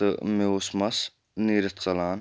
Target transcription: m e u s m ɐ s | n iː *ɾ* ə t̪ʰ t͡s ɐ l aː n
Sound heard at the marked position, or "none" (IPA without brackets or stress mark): ɾ